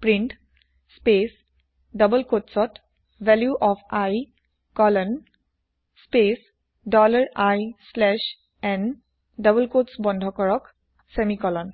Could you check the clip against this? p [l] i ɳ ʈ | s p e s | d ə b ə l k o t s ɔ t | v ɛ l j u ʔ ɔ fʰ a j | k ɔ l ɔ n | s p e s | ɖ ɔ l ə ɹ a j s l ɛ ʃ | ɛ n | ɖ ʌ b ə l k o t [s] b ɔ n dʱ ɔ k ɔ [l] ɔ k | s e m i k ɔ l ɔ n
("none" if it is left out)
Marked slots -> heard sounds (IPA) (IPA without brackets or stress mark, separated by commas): ɹ, s, ɹ